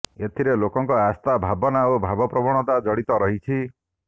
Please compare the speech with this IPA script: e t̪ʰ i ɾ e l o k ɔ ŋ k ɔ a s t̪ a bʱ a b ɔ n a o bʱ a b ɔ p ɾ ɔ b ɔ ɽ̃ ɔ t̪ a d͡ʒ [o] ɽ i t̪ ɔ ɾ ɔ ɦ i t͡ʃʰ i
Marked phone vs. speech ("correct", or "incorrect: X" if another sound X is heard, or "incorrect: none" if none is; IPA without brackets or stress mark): incorrect: ɔ